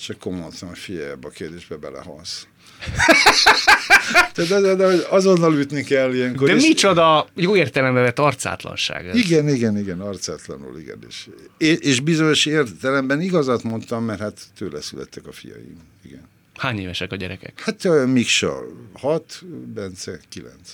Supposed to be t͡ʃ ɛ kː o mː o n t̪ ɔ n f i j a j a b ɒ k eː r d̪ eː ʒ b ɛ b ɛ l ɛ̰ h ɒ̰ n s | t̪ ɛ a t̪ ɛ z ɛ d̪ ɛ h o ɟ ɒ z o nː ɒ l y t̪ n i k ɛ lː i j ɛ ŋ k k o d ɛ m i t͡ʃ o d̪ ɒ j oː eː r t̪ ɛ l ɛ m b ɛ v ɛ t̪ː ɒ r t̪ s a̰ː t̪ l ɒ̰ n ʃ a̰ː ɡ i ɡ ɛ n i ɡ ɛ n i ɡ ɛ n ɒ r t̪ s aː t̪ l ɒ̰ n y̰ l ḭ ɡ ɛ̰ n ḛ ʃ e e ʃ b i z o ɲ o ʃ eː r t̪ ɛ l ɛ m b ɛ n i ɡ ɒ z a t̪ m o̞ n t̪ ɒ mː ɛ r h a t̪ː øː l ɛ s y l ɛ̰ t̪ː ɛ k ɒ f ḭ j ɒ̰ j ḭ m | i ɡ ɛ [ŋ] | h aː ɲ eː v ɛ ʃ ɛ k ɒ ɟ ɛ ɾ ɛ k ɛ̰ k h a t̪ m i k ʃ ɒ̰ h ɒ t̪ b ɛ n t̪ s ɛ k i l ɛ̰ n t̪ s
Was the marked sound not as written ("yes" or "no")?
yes